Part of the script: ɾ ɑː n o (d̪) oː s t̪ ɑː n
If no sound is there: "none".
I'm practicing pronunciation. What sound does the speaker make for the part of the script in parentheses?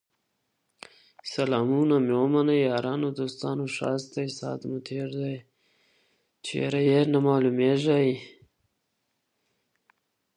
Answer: d̪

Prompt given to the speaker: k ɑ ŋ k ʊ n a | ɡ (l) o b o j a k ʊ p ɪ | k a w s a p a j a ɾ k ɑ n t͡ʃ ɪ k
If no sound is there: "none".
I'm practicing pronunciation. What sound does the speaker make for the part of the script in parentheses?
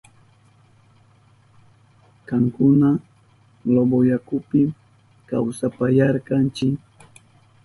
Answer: l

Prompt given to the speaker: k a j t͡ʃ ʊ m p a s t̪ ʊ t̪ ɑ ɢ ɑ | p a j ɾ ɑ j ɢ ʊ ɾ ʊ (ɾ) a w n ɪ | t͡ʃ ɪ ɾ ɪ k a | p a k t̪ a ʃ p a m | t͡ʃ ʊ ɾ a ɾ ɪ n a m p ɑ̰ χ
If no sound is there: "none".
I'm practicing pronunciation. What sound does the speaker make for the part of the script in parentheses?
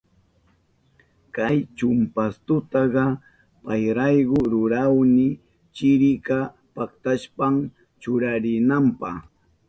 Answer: ɾ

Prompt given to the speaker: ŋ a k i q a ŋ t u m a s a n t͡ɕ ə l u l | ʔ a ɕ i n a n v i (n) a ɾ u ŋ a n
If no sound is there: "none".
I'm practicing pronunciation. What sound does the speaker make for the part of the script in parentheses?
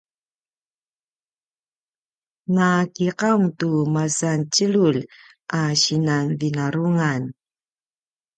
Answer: n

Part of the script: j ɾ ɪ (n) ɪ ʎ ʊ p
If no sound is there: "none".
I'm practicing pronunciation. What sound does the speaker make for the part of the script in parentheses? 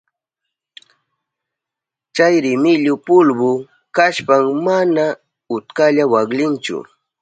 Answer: m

